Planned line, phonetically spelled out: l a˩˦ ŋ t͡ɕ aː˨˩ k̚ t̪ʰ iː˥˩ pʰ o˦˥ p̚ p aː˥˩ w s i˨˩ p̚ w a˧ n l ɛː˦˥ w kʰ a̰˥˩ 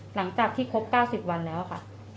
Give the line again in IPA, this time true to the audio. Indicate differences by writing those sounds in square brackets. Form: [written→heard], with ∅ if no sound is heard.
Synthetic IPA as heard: l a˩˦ ŋ t͡ɕ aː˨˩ k̚ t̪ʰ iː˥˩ [pʰ→kʰ] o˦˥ p̚ [p→k] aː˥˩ w s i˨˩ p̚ w a˧ n l ɛː˦˥ w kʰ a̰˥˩